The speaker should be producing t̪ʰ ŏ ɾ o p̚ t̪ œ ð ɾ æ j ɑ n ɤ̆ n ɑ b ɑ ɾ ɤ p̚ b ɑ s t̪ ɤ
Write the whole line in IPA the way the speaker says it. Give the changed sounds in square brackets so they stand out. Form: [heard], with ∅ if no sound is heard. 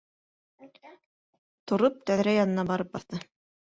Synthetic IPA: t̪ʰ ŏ ɾ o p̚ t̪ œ ð ɾ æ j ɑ n ɤ̆ n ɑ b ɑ ɾ ɤ p̚ b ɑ [θ] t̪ ɤ